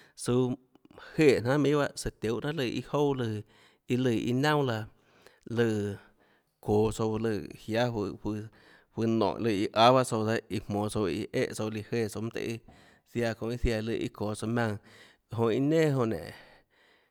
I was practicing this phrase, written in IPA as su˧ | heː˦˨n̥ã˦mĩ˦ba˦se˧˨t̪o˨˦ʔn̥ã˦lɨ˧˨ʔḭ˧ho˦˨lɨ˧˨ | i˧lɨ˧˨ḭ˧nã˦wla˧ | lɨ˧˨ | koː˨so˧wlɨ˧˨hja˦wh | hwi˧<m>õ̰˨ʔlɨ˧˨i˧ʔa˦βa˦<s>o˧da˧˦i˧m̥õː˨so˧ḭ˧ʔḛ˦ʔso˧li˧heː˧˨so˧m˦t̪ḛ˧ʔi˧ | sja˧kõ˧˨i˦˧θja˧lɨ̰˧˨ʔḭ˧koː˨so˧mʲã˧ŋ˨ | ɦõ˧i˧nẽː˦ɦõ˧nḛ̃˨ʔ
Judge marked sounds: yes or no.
no, yes

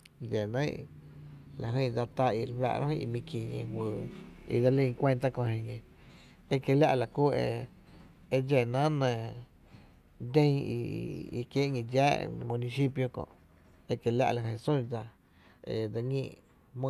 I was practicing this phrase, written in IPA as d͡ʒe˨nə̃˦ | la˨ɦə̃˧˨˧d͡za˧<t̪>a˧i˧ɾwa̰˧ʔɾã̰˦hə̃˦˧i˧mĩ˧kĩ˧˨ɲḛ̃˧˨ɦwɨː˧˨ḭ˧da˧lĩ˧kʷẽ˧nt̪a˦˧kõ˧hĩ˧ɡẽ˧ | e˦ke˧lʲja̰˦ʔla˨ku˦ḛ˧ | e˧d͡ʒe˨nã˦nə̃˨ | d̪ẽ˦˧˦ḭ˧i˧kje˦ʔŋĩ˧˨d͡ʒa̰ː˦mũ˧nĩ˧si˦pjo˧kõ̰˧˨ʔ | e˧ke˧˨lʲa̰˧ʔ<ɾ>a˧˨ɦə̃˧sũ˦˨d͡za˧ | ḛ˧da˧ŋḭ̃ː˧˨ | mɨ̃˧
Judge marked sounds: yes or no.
yes, no

